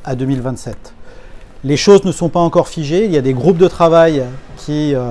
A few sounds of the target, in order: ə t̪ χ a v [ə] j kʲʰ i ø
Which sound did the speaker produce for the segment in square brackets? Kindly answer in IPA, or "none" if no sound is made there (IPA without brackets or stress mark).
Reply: a